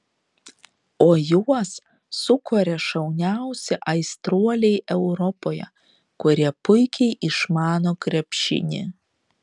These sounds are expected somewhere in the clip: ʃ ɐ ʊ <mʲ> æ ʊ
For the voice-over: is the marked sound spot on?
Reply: no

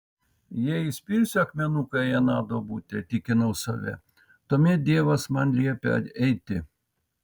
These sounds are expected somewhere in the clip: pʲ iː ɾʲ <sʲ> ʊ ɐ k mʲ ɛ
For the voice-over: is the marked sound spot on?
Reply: yes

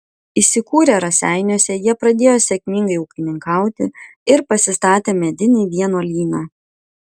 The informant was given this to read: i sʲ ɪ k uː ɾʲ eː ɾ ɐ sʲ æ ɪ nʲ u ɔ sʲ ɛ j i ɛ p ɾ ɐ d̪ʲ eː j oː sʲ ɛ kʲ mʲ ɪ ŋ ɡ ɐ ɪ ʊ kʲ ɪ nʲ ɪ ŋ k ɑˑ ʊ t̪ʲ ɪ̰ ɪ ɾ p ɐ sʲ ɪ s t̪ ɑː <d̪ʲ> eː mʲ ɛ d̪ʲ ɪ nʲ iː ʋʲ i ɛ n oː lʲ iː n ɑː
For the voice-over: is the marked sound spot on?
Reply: no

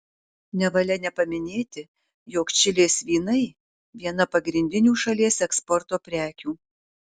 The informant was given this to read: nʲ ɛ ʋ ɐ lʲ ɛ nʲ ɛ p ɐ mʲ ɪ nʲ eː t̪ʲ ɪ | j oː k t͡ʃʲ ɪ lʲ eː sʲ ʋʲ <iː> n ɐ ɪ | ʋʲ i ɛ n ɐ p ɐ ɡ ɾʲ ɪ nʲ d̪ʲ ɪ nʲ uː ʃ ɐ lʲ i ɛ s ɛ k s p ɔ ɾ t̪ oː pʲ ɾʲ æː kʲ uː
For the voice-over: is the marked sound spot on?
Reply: yes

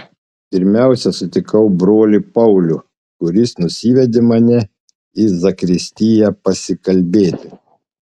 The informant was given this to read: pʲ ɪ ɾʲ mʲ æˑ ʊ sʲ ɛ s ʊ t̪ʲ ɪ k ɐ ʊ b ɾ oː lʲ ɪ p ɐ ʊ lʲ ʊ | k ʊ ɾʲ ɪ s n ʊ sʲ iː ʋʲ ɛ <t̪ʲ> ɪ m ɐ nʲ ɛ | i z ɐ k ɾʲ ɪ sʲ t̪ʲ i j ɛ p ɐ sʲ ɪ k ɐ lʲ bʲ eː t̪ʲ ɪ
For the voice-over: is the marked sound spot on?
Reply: no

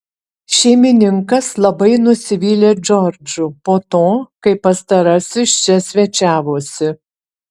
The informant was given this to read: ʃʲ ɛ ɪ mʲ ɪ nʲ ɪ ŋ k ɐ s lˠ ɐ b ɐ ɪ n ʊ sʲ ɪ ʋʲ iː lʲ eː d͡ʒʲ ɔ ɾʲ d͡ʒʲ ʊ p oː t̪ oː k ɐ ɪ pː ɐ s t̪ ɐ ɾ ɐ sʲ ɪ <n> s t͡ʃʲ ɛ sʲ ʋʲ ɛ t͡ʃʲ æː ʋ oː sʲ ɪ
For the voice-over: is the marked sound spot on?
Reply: no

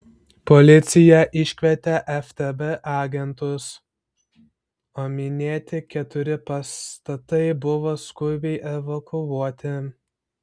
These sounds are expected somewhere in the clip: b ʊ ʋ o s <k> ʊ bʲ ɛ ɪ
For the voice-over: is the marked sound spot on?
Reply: yes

